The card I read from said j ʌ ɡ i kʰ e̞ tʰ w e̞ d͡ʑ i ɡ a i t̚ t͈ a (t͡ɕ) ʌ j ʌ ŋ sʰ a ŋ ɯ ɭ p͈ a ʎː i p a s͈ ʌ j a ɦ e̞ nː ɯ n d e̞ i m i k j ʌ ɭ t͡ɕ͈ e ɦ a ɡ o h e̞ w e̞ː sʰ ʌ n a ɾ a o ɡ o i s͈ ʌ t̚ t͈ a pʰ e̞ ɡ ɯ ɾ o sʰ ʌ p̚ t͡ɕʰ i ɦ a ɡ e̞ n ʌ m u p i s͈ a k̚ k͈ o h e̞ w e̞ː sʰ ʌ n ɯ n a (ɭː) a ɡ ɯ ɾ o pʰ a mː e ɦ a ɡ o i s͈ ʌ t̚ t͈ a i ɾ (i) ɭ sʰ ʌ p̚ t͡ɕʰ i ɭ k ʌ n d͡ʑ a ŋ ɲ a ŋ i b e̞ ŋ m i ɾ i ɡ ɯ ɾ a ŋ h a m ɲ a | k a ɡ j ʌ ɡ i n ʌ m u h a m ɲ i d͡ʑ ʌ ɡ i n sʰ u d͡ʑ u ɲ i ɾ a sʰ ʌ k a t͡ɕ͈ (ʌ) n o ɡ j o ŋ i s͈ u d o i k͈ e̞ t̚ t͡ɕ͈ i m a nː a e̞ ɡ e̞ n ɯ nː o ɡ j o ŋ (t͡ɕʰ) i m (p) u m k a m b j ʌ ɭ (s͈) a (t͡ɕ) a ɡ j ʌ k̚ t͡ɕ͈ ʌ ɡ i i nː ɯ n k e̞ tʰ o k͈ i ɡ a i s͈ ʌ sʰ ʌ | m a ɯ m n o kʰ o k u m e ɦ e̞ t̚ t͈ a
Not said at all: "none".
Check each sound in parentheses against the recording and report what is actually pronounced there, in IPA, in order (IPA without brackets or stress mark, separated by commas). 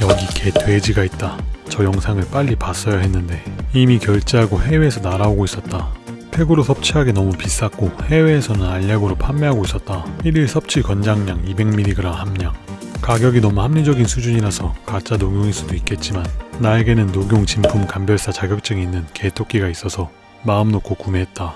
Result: t͡ɕ, ʎː, i, a, t͡ɕ, pʰ, s͈, t͡ɕ